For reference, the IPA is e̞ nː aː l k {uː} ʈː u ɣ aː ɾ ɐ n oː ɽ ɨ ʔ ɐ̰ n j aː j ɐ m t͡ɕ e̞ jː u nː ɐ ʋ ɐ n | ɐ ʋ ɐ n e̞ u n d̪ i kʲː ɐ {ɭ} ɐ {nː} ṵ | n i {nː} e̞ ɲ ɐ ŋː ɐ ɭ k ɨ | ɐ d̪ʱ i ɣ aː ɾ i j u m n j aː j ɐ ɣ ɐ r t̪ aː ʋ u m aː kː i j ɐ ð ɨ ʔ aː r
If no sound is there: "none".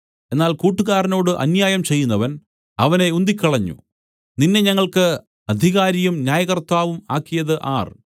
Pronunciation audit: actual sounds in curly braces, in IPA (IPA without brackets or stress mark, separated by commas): uː, ɭ, ɲː, nː